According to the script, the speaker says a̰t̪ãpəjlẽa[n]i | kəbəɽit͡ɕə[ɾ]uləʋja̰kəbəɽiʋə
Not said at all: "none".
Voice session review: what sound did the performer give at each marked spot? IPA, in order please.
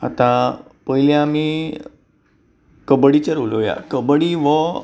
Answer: m, ɾ

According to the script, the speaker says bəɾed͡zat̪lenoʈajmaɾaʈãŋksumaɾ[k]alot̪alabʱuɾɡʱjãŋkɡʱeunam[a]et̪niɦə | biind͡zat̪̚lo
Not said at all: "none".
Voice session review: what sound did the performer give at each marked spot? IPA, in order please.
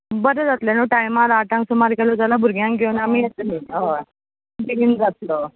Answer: k, i

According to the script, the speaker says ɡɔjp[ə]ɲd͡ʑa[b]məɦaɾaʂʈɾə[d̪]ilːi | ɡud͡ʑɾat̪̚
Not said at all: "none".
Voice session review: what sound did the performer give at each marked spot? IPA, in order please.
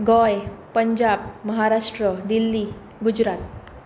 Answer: ə, b, d̪

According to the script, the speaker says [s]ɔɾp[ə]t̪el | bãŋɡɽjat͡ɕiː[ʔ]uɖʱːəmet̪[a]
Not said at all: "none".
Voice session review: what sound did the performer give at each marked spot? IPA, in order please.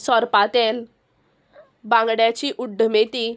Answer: s, a, ʔ, i

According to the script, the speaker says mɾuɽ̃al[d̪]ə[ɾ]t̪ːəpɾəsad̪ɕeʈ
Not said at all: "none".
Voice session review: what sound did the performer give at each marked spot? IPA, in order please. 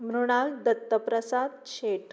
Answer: d̪, none

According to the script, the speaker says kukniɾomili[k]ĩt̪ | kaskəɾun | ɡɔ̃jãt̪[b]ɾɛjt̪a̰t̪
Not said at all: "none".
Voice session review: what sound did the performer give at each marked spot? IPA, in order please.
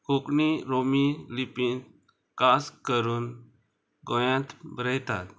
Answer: p, b

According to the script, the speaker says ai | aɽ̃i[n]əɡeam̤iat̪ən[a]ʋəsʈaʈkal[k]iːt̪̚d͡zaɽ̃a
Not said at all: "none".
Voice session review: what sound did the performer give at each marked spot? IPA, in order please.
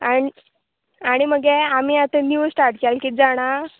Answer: m, i, k

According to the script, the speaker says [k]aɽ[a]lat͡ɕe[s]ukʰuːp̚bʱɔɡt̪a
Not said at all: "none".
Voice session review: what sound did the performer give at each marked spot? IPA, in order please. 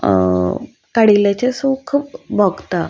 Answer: k, i, s

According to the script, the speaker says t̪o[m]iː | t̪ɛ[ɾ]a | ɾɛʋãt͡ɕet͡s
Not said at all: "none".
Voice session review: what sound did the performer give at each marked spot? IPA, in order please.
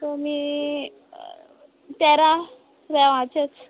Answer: m, ɾ

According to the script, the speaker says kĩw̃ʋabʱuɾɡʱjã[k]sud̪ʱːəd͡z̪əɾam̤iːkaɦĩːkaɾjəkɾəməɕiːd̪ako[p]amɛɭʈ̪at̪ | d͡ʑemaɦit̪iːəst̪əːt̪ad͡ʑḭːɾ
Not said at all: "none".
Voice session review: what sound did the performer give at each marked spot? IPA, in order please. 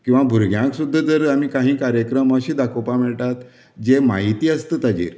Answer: k, p

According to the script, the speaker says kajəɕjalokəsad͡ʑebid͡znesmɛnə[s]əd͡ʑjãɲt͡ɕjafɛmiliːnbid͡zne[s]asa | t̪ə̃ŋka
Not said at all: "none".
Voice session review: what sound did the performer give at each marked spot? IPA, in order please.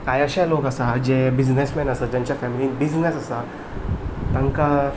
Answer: s, s

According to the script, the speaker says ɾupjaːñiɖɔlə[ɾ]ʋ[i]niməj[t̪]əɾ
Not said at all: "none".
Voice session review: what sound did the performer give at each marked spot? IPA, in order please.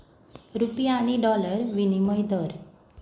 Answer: ɾ, i, d̪

